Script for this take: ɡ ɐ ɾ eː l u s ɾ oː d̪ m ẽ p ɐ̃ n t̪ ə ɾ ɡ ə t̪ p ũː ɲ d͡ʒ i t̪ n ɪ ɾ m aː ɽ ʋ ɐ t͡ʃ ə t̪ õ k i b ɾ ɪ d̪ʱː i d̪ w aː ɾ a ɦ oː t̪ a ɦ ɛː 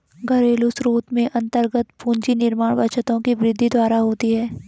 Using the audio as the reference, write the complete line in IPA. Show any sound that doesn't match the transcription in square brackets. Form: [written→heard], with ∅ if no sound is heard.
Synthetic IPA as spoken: ɡ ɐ ɾ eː l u s ɾ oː [d̪→t̪] m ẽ [p→ʔ] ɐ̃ n t̪ ə ɾ ɡ ə t̪ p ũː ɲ d͡ʒ i [t̪→∅] n ɪ ɾ m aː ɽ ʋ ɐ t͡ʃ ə t̪ õ k i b ɾ ɪ d̪ʱː i d̪ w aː ɾ a ɦ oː t̪ [a→i] ɦ ɛː